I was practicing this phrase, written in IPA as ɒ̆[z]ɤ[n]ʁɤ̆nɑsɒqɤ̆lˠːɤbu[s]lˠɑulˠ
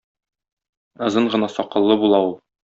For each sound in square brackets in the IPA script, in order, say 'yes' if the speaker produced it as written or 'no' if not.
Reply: yes, no, no

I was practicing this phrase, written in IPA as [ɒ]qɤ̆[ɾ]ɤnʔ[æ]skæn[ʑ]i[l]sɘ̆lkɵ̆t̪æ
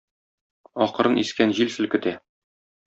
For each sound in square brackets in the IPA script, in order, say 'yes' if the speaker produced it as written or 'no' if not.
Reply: yes, yes, no, yes, yes

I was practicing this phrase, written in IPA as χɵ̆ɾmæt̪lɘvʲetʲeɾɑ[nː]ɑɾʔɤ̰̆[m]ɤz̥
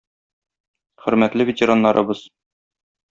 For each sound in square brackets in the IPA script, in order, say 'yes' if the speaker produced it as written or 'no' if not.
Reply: yes, no

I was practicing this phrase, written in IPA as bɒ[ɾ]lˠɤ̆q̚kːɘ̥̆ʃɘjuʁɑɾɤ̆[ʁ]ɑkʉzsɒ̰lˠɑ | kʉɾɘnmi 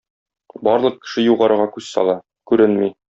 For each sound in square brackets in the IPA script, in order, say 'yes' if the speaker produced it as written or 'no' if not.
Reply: yes, yes

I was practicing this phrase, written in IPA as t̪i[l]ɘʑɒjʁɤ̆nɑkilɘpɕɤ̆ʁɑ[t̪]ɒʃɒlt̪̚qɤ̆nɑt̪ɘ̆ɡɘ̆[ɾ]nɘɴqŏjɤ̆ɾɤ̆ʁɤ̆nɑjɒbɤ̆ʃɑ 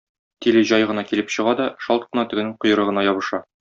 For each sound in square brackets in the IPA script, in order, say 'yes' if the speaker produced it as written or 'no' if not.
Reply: yes, no, no

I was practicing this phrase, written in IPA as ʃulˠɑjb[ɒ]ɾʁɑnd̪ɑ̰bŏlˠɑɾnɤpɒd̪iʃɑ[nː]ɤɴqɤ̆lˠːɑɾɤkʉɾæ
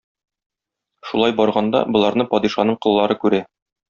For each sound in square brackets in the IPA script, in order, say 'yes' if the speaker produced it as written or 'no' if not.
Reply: yes, no

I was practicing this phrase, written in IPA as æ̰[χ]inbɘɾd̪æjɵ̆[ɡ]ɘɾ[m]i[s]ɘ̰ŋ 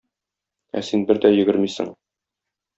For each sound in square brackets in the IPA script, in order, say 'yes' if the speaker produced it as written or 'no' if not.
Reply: no, yes, yes, yes

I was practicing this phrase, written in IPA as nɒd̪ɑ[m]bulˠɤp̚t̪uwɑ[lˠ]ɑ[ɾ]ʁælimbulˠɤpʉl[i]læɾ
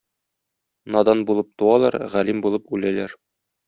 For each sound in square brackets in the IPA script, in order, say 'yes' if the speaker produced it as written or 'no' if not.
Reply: no, yes, yes, no

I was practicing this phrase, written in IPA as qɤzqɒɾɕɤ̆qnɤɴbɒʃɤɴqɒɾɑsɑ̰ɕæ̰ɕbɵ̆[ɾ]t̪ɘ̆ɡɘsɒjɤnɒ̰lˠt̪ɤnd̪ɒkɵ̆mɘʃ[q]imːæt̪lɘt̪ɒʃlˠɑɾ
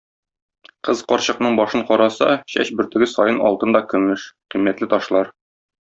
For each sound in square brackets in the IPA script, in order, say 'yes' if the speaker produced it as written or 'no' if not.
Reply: yes, yes

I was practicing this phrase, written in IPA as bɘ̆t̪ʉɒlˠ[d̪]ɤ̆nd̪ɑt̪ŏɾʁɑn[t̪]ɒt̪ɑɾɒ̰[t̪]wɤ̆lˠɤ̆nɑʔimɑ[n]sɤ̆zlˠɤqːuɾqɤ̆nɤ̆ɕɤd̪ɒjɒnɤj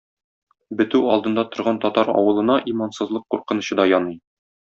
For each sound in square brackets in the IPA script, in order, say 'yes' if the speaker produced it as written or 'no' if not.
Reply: yes, yes, no, yes

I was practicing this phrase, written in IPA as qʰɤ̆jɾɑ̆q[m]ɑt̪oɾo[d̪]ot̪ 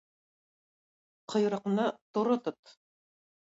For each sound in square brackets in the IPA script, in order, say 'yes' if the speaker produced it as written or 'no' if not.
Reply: no, no

